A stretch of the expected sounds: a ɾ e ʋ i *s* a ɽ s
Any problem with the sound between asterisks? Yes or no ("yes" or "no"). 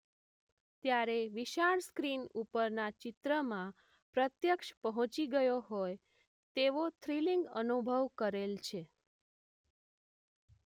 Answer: yes